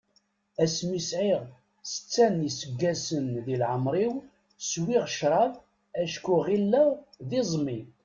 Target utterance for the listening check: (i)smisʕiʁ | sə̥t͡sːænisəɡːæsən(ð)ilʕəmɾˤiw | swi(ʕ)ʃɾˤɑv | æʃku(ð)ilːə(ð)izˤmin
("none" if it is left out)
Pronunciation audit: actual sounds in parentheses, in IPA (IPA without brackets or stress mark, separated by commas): æ, ð, ʁ, ʁ, ð